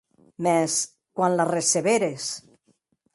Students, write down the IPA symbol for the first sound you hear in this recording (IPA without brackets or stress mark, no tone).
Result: m